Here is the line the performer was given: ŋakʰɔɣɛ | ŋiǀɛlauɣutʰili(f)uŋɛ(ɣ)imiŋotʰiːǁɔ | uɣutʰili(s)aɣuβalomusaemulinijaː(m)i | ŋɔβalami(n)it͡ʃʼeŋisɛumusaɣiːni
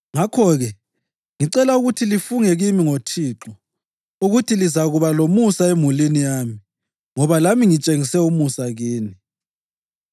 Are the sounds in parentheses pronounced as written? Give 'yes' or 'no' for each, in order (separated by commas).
yes, yes, no, yes, no